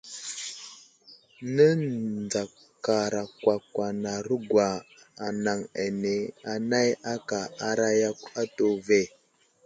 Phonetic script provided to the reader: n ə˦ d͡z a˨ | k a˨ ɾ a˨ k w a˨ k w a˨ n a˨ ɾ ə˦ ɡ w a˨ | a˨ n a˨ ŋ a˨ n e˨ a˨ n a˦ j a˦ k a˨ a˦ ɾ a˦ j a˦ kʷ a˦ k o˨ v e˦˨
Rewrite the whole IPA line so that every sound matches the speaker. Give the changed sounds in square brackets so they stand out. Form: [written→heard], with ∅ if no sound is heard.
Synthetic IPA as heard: n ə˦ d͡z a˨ | k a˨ ɾ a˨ k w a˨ k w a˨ n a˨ ɾ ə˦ ɡ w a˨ | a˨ n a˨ ŋ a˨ n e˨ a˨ n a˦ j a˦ k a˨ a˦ ɾ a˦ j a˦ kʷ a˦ [k→t] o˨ v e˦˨